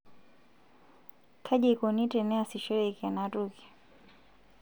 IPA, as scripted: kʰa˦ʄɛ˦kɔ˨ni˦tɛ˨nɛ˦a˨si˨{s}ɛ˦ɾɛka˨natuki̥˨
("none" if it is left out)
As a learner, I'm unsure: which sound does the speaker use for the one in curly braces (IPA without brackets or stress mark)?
ʃ